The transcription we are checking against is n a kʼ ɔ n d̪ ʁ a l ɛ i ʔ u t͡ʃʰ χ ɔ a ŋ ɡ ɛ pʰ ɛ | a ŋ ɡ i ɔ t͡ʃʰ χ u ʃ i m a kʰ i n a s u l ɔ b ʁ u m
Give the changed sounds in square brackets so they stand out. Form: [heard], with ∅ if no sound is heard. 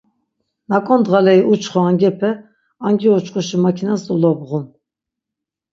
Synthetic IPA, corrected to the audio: n a kʼ ɔ n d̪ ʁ a l ɛ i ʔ u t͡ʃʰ χ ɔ a ŋ ɡ ɛ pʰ ɛ | a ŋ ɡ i ɔ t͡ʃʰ χ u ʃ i m a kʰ i n a s u l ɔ b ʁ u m